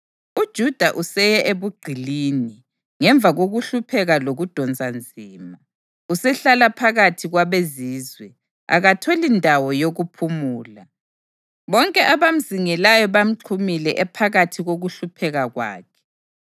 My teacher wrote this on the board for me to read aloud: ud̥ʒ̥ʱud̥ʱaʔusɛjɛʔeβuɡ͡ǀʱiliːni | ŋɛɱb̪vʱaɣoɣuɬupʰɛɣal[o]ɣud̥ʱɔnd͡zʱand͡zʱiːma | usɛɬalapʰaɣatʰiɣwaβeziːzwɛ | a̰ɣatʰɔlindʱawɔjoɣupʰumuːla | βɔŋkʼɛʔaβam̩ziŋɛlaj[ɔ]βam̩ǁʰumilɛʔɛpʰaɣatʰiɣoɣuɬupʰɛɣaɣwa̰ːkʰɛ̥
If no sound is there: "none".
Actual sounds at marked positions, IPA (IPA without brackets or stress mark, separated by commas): o, ɔ